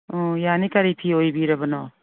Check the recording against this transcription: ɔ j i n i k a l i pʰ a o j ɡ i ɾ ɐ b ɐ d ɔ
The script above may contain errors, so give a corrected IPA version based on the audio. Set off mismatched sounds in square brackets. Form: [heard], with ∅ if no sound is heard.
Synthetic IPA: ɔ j [a] n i k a [ɾ] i pʰ [i] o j [b] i ɾ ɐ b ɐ [n] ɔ